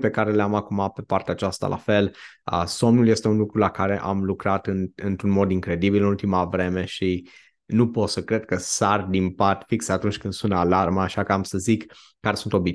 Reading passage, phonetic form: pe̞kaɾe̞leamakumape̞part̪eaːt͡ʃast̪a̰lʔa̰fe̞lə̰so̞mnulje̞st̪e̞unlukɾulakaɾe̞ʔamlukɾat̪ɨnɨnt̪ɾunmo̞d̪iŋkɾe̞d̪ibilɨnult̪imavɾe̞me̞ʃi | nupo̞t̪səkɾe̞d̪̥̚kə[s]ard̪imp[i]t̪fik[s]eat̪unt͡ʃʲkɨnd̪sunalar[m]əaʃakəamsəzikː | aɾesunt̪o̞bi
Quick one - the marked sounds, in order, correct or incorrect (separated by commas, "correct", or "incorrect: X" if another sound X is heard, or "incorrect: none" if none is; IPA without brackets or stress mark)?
correct, incorrect: a, correct, correct